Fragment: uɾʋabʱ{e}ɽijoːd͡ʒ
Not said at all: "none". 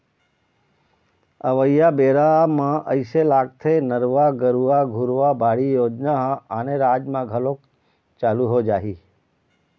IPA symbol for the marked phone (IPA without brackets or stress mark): a